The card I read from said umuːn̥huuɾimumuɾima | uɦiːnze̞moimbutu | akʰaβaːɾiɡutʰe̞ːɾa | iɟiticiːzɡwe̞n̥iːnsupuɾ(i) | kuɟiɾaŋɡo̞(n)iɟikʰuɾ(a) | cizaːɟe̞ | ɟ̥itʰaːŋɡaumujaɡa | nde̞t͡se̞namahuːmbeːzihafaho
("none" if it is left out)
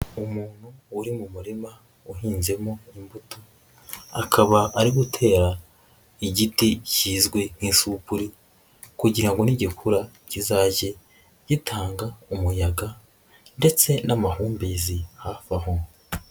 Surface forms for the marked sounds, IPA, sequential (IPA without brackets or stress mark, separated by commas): i, n, a